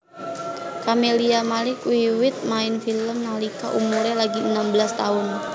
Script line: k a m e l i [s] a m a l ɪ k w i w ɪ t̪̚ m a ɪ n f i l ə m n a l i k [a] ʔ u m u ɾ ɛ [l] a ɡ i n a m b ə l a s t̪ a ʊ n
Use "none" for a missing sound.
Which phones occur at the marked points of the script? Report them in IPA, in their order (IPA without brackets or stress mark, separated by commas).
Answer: none, a, l